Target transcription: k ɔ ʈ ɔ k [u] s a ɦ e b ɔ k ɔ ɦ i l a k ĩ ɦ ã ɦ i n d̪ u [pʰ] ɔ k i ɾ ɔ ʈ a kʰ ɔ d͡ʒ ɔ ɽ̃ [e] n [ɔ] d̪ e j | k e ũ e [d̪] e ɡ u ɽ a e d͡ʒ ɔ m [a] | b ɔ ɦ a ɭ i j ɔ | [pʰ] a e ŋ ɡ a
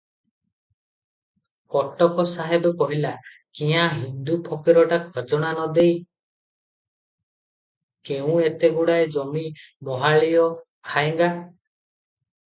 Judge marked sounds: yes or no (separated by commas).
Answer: no, yes, no, yes, no, no, no